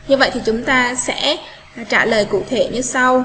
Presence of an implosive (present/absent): absent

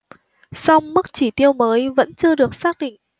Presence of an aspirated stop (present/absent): absent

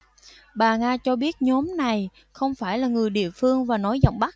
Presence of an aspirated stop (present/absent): absent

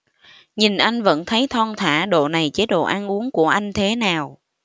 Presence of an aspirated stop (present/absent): present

